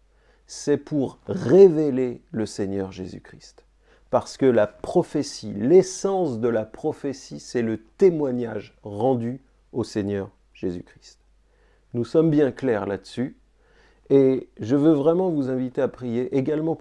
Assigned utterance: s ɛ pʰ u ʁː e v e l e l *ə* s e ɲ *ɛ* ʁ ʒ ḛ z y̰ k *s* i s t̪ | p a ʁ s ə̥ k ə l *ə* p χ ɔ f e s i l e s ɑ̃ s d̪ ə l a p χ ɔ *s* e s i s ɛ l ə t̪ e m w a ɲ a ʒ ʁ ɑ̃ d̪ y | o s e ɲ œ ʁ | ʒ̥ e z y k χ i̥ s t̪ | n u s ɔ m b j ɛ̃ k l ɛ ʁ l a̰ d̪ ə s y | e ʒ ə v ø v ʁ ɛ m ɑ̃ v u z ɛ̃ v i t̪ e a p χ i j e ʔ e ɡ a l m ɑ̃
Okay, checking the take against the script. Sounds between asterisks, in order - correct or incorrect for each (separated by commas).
correct, incorrect, incorrect, incorrect, incorrect